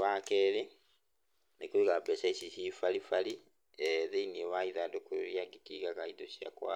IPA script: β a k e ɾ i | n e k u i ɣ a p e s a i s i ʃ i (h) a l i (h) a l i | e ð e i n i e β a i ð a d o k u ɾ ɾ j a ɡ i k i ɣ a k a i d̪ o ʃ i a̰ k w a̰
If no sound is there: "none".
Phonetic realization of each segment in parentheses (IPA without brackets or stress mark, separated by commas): f, f